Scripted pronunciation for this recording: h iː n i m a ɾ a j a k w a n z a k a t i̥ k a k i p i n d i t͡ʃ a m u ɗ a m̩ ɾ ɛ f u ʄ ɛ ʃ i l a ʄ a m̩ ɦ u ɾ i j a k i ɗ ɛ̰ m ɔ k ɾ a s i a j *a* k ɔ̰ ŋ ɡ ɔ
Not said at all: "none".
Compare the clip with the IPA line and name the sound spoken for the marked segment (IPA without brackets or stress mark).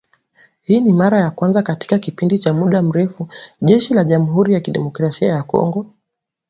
a